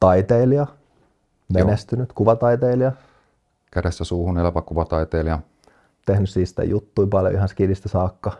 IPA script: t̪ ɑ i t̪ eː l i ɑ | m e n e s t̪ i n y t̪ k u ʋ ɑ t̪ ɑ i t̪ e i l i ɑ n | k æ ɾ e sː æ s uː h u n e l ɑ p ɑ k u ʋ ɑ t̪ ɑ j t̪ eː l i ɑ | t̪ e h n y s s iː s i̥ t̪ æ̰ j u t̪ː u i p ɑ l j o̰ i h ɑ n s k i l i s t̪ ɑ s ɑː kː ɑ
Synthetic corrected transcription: t̪ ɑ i t̪ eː l i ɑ | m e n e s t̪ y n y t̪ k u ʋ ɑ t̪ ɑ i t̪ e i l i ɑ | k æ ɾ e sː æ s uː h u n e l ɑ p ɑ k u ʋ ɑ t̪ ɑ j t̪ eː l i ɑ | t̪ e h n y s s iː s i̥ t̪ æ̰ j u t̪ː u i p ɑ l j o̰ i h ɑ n s k i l i s t̪ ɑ s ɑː kː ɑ